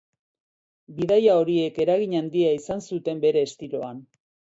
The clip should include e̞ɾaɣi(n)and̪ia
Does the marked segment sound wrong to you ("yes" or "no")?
yes